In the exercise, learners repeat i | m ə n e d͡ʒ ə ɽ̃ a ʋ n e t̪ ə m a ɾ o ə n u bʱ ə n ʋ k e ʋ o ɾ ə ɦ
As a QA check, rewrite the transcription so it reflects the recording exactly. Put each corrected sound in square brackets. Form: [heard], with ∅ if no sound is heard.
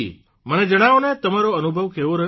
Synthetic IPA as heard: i | m ə n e d͡ʒ ə ɽ̃ a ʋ n e t̪ ə m a ɾ o ə n u bʱ ə [∅] ʋ k e ʋ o ɾ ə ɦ